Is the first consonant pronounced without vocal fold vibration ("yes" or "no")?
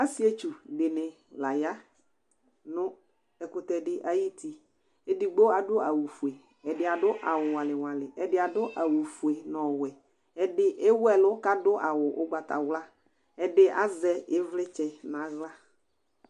yes